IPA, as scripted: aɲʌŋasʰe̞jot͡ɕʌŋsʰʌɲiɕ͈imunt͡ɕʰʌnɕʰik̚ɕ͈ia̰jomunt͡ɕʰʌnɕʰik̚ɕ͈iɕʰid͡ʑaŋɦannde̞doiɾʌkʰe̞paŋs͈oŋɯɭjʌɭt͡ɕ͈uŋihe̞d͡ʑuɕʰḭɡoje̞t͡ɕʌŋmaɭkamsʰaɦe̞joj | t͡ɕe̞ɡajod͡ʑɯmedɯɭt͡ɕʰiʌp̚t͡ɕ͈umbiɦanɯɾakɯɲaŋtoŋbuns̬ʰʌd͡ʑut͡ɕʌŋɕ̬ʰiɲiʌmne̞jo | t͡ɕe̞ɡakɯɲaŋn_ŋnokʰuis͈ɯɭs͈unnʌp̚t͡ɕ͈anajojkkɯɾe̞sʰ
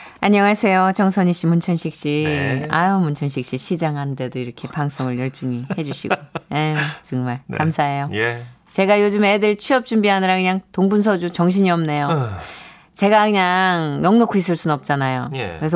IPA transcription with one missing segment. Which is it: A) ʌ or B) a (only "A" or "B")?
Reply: A